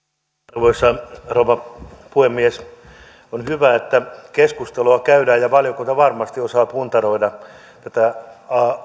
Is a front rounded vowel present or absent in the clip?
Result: present